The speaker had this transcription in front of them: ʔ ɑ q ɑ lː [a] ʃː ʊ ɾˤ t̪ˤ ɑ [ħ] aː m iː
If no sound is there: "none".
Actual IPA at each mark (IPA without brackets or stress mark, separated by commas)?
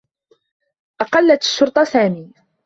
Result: a, s